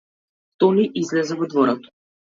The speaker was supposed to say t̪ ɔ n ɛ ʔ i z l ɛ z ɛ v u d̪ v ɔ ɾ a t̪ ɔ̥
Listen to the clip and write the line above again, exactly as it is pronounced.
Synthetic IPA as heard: t̪ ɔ n i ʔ i z l ɛ z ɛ v ɔ d̪ v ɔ ɾ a t̪ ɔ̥

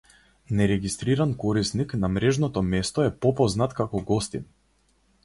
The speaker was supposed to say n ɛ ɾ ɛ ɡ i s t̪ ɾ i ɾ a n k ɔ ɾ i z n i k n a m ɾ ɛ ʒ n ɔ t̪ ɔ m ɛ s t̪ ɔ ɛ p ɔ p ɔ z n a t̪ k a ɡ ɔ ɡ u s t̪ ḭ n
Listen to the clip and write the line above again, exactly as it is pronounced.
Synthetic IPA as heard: n ɛ ɾ ɛ ɡ i s t̪ ɾ i ɾ a n k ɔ ɾ i s n i k n a m ɾ ɛ ʒ n ɔ t̪ ɔ m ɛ s t̪ ɔ ɛ p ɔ p ɔ z n a t̪ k a k ɔ ɡ ɔ s t̪ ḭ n

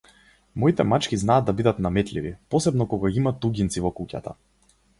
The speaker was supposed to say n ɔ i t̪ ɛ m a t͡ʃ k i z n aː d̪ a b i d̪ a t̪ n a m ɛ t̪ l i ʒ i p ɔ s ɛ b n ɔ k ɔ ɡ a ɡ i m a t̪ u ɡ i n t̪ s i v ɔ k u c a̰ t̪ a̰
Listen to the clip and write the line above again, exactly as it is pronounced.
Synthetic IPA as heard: m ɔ i t̪ ɛ m a t͡ʃ k i z n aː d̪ a b i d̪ a t̪ n a m ɛ t̪ l i v i p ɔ s ɛ b n ɔ k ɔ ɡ a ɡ i m a t̪ u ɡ i n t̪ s i v ɔ k u c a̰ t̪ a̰

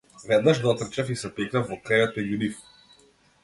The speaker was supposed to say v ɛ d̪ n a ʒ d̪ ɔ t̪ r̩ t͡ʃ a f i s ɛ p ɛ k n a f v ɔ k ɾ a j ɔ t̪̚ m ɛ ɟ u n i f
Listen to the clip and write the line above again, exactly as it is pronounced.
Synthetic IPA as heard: v ɛ d̪ n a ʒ d̪ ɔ t̪ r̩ t͡ʃ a f i s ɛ p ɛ k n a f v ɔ k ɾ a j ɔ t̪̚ m ɛ ɟ u n i f

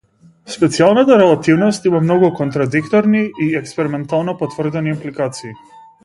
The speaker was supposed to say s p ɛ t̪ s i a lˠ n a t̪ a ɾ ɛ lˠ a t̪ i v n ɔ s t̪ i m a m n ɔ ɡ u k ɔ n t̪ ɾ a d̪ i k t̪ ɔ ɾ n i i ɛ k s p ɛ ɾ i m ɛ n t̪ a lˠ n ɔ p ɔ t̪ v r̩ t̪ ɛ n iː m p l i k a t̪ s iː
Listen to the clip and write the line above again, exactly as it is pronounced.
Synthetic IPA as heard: s p ɛ t̪ s i a lˠ n a t̪ a ɾ ɛ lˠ a t̪ i v n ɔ s t̪ i m a m n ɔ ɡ u k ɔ n t̪ ɾ a d̪ i k t̪ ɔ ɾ n i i ɛ k s p ɛ ɾ i m ɛ n t̪ a lˠ n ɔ p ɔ t̪ v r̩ d̪ ɛ n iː m p l i k a t̪ s iː

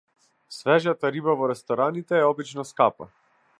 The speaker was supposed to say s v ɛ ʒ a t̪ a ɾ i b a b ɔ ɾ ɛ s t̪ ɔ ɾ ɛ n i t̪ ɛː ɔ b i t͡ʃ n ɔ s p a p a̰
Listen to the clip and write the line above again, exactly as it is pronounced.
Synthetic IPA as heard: s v ɛ ʒ a t̪ a ɾ i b a v ɔ ɾ ɛ s t̪ ɔ ɾ a n i t̪ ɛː ɔ b i t͡ʃ n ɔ s k a p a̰

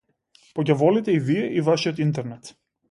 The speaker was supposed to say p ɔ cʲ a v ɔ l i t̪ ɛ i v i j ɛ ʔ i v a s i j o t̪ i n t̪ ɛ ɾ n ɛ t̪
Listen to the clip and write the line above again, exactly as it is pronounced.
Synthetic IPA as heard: p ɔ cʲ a v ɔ l i t̪ ɛ i v i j ɛ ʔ i v a ʃ i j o t̪ i n t̪ ɛ ɾ n ɛ t̪

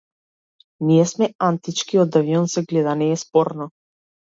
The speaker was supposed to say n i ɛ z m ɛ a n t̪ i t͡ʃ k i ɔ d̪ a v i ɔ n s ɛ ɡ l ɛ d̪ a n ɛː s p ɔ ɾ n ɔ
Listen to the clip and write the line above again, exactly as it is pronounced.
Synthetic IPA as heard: n i ɛ s m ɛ a n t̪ i t͡ʃ k i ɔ d̪ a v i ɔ n s ɛ ɡ l ɛ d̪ a n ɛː s p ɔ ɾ n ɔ

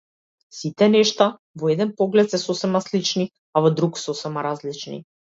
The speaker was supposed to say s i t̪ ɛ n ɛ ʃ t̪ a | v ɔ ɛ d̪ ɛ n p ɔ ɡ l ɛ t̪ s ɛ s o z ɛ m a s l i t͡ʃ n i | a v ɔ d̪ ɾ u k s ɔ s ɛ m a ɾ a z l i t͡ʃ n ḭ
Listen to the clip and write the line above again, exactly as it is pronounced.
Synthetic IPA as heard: s i t̪ ɛ n ɛ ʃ t̪ a | v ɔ ɛ d̪ ɛ n p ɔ ɡ l ɛ t̪ s ɛ s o s ɛ m a s l i t͡ʃ n i | a v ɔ d̪ ɾ u k s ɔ s ɛ m a ɾ a z l i t͡ʃ n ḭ

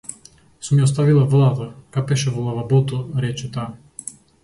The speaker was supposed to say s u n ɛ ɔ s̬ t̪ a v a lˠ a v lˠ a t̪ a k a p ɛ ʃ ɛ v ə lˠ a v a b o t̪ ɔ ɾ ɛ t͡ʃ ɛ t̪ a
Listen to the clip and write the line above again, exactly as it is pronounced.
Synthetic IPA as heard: s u m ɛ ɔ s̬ t̪ a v i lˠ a v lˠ a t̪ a k a p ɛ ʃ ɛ v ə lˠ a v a b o t̪ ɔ ɾ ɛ t͡ʃ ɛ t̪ a

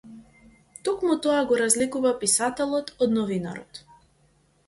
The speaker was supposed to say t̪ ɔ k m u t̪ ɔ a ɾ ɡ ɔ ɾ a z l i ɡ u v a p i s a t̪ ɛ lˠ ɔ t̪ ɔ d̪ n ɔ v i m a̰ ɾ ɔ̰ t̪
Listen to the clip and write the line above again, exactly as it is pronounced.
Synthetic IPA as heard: t̪ ɔ k m u t̪ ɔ a ɡ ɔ ɾ a z l i k u v a p i s a t̪ ɛ lˠ ɔ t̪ ɔ d̪ n ɔ v i n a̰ ɾ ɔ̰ t̪

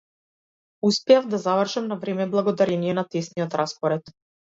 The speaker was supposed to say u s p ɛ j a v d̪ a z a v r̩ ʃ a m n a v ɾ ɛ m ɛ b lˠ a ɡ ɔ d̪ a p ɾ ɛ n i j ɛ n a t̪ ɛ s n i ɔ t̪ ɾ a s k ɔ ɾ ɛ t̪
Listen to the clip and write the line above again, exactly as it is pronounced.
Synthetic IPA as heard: u s p ɛ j a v d̪ a z a v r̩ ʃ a m n a v ɾ ɛ m ɛ b lˠ a ɡ ɔ d̪ a ɾ ɛ n i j ɛ n a t̪ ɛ s n i ɔ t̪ ɾ a s p ɔ ɾ ɛ t̪

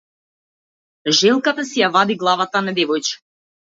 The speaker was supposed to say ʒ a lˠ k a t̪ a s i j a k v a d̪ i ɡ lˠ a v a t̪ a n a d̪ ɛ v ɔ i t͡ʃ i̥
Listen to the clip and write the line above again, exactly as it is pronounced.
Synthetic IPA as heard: ʒ ɛ lˠ k a t̪ a s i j a v a d̪ i ɡ lˠ a v a t̪ a n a d̪ ɛ v ɔ j t͡ʃ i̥

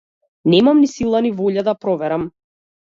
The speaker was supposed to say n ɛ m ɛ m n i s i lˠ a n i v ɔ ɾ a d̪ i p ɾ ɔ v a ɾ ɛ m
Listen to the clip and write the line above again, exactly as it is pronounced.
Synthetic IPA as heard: n ɛ m a m n i s i lˠ a n i v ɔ ʎ a d̪ a p ɾ ɔ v ɛ ɾ a m

